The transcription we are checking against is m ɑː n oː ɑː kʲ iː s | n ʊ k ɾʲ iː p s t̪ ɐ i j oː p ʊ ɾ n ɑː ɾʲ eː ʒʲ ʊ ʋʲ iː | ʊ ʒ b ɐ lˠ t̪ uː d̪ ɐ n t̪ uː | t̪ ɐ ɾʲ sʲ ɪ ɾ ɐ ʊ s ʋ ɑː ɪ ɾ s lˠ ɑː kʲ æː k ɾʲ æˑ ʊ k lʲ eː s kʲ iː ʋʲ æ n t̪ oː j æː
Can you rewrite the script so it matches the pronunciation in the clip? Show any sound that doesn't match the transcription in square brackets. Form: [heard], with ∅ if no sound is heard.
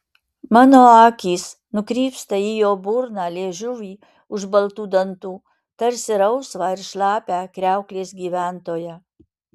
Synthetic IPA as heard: m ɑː n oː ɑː kʲ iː s | n ʊ k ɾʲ iː p s t̪ ɐ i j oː [b] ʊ ɾ n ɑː [lʲ] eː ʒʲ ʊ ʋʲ iː | ʊ ʒ b ɐ lˠ t̪ uː d̪ ɐ n t̪ uː | t̪ ɐ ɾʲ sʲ ɪ ɾ ɐ ʊ s ʋ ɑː ɪ ɾ [ʃ] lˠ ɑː [pʲ] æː k ɾʲ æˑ ʊ k lʲ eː s [ɡʲ] iː ʋʲ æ n t̪ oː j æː

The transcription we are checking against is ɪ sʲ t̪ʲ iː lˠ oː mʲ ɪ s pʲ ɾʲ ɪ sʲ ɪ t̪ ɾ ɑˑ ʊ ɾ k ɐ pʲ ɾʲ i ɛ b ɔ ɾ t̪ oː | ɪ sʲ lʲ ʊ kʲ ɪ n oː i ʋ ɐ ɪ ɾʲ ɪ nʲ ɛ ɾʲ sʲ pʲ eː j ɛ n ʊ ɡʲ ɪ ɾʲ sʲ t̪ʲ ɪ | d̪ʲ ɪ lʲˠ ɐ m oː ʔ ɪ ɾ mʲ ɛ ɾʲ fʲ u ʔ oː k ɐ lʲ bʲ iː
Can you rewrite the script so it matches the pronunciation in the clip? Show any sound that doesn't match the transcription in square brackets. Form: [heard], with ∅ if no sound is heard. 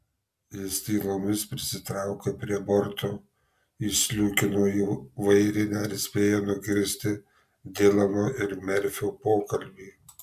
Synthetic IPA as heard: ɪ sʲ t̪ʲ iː lˠ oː mʲ ɪ s pʲ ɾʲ ɪ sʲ ɪ t̪ ɾ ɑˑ ʊ [∅] k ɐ pʲ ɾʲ i ɛ b ɔ ɾ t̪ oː | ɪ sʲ lʲ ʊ kʲ ɪ n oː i ʋ ɐ ɪ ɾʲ ɪ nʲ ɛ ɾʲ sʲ pʲ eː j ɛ n ʊ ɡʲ ɪ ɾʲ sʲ t̪ʲ ɪ | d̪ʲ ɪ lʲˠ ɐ m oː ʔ ɪ ɾ mʲ ɛ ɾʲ fʲ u [p] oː k ɐ lʲ bʲ iː

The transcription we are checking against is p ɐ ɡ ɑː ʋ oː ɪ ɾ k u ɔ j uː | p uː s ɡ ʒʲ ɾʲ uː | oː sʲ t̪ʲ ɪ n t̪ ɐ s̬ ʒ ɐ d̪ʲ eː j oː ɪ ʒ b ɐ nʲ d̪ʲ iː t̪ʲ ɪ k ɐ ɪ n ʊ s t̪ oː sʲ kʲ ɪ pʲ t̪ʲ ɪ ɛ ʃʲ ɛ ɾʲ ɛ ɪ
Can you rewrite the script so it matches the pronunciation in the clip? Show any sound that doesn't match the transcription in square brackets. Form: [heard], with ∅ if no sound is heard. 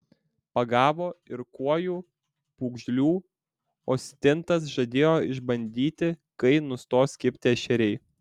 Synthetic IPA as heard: p ɐ ɡ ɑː ʋ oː ɪ ɾ k u ɔ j uː | p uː [∅] ɡ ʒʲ [lʲ] uː | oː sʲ t̪ʲ ɪ n t̪ ɐ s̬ ʒ ɐ d̪ʲ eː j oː ɪ ʒ b ɐ nʲ d̪ʲ iː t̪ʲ ɪ k ɐ ɪ n ʊ s t̪ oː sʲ kʲ ɪ pʲ t̪ʲ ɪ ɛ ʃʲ ɛ ɾʲ ɛ ɪ

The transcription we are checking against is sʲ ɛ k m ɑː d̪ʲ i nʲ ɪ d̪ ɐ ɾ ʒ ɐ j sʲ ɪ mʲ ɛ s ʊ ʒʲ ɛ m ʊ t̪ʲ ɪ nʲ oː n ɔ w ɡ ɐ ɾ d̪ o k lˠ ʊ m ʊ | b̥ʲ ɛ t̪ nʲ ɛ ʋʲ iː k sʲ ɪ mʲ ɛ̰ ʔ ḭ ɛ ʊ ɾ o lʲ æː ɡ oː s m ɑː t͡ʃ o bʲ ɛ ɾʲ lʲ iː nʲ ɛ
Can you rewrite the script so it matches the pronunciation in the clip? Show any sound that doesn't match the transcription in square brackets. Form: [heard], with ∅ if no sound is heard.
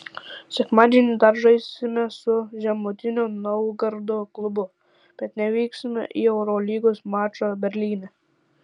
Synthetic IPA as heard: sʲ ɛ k m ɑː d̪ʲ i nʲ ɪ d̪ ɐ ɾ ʒ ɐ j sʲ ɪ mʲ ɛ s ʊ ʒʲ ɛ m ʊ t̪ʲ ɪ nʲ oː n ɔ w ɡ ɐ ɾ d̪ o k lˠ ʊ [b] ʊ | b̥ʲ ɛ t̪ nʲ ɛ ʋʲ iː k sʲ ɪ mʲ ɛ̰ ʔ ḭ ɛ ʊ ɾ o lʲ [iː] ɡ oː s m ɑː t͡ʃ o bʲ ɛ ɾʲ lʲ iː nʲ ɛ

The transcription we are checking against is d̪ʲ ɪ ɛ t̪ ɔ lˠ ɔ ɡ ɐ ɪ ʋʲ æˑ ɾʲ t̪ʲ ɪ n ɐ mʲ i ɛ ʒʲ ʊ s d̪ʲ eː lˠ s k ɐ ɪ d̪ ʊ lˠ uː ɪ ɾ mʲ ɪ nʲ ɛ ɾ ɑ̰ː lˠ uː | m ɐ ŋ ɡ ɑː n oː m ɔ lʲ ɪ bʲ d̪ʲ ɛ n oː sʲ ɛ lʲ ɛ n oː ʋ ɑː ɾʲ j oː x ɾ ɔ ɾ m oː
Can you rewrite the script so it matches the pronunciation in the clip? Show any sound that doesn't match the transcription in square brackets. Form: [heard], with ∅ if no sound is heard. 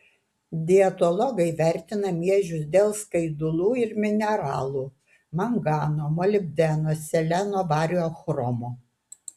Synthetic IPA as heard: d̪ʲ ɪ ɛ t̪ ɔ lˠ ɔ ɡ ɐ ɪ ʋʲ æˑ ɾʲ t̪ʲ ɪ n ɐ mʲ i ɛ ʒʲ ʊ s d̪ʲ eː lˠ s k ɐ ɪ d̪ ʊ lˠ uː ɪ ɾ mʲ ɪ nʲ ɛ ɾ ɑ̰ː lˠ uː | m ɐ ŋ ɡ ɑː n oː m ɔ lʲ ɪ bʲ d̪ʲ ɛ n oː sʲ ɛ lʲ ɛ n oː ʋ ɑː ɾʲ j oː x ɾ ɔ [∅] m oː

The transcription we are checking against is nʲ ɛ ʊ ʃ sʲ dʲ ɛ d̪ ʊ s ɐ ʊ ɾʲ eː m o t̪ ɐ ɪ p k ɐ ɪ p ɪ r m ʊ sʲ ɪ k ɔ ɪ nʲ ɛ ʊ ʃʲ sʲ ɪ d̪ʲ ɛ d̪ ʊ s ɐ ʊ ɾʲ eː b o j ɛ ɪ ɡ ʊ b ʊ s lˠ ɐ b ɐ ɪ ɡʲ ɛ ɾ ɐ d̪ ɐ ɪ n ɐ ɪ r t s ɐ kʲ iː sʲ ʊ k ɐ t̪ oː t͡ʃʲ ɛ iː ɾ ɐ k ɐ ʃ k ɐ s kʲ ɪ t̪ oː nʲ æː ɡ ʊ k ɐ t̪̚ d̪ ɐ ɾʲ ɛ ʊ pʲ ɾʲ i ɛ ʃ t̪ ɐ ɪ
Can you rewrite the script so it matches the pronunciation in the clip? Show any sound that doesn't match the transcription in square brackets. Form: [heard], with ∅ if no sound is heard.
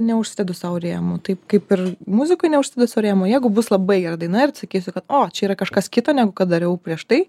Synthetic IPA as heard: nʲ ɛ ʊ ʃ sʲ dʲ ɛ d̪ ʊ s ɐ ʊ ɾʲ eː m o t̪ ɐ ɪ p k ɐ ɪ p ɪ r m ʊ [zʲ] ɪ k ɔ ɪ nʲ ɛ ʊ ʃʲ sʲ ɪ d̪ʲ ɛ d̪ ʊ s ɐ ʊ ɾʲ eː [m] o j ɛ ɪ ɡ ʊ b ʊ s lˠ ɐ b ɐ ɪ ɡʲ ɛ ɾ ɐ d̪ ɐ ɪ n ɐ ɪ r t s ɐ kʲ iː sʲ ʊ k ɐ t̪ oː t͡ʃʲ ɛ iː ɾ ɐ k ɐ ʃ k ɐ s kʲ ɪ t̪ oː nʲ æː ɡ ʊ k ɐ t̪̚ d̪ ɐ ɾʲ ɛ ʊ pʲ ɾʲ i ɛ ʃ t̪ ɐ ɪ

